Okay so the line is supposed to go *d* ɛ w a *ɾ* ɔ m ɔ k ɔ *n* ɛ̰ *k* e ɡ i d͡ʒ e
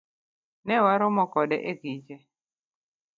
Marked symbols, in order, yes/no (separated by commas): no, yes, no, no